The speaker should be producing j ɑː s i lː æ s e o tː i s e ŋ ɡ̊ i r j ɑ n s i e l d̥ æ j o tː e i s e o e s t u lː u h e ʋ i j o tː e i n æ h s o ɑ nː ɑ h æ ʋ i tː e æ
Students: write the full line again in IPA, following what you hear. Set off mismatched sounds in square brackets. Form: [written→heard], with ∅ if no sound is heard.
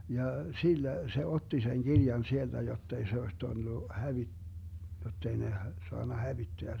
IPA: j [ɑː→ɑ] s i lː æ s e o tː i s e ŋ ɡ̊ i r j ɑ n s i e l d̥ æ j o tː e i s e o e s t u lː u h [e→æ] ʋ i j o tː e i n [æ→e] h s o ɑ nː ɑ h æ ʋ i tː e æ